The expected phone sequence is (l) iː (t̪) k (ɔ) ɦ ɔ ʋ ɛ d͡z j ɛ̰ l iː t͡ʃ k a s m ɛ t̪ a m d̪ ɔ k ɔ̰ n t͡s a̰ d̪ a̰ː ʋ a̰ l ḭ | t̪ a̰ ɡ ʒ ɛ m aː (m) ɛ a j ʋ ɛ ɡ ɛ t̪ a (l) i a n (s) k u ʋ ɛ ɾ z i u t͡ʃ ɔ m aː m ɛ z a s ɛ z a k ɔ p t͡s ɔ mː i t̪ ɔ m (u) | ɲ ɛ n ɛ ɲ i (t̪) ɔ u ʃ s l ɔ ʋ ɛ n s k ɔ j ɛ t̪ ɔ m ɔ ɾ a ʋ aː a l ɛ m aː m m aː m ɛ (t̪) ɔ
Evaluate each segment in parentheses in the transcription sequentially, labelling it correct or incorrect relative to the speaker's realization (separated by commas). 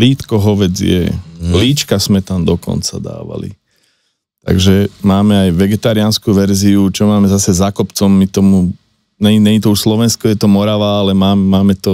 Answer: correct, correct, correct, correct, incorrect, correct, correct, correct, correct